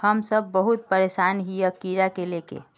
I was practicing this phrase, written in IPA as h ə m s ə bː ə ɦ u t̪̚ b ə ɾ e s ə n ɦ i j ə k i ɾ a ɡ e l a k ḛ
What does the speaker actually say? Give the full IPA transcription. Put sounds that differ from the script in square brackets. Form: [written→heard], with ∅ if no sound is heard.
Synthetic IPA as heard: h ə m s ə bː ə ɦ u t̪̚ [b→p] ə ɾ e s [ə→a] n ɦ i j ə k i ɾ a [ɡ→k] e l [a→e] k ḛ